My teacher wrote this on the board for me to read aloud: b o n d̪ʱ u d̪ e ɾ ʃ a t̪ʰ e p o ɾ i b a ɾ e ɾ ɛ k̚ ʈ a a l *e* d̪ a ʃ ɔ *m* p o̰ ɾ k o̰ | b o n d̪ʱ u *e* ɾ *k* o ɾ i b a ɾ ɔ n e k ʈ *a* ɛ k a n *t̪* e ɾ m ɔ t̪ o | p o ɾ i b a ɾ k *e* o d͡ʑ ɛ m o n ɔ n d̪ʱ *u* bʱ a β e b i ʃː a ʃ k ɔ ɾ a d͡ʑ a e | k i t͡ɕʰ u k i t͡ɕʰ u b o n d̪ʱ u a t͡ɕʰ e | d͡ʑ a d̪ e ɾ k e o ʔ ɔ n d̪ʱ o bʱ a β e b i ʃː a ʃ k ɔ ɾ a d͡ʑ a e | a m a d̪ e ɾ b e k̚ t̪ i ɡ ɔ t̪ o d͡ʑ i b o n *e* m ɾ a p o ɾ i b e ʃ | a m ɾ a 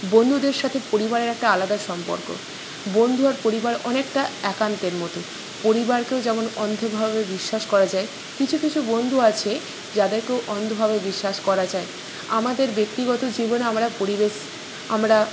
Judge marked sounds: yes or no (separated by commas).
no, yes, no, no, yes, yes, yes, no, no